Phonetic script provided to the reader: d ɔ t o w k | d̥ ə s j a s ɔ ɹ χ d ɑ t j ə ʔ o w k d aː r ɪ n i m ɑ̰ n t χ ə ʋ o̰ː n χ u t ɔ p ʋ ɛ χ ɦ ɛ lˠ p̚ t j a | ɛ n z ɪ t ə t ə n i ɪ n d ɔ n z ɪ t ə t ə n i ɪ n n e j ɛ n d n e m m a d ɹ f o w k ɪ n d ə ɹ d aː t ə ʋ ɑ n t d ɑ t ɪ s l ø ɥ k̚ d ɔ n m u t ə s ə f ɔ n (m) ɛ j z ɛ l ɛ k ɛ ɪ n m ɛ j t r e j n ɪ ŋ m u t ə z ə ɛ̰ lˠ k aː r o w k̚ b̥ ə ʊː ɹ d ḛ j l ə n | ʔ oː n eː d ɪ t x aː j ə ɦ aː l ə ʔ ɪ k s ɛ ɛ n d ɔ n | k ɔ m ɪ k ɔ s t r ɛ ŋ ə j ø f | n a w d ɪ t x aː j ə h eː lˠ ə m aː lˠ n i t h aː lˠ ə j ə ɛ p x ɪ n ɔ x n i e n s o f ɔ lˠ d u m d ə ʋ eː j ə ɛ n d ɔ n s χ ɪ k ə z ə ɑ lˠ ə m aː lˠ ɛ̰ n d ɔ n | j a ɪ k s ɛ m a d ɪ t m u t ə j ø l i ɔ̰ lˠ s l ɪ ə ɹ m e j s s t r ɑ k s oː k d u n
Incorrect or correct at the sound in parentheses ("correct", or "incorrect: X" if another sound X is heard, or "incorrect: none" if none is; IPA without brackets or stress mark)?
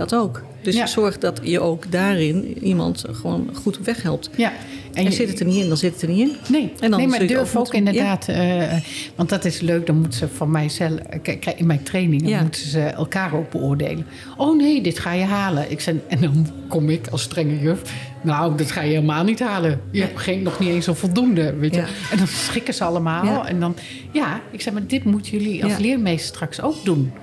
correct